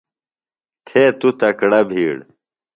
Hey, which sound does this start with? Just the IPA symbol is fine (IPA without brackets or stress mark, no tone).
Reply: t̪ʰ